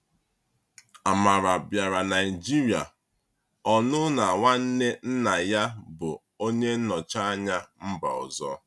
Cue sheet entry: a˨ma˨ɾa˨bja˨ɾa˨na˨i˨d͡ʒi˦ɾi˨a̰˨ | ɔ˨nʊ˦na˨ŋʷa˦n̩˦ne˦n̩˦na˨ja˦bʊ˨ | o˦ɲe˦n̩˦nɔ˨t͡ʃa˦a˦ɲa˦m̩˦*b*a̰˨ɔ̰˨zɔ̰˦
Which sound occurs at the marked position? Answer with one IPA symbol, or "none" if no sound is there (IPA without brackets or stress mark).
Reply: b